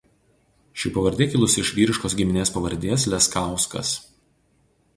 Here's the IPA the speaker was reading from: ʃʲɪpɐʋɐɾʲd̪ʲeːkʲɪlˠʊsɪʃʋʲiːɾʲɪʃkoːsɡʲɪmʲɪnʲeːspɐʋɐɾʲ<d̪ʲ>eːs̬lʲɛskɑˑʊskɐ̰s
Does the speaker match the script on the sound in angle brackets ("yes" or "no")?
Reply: yes